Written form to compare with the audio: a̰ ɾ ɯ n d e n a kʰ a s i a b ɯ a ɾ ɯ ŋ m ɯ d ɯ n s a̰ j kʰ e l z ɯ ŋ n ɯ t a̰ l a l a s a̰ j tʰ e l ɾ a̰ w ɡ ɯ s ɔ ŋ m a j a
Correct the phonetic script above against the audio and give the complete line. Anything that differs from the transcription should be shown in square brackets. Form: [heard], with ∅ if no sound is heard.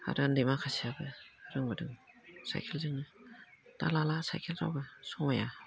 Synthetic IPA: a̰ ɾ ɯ n d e [m] a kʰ a s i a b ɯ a ɾ ɯ ŋ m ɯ d ɯ [ŋ] s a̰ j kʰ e l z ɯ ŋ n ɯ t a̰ l a l a s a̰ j [kʰ] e l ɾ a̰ w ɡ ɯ s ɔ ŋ m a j a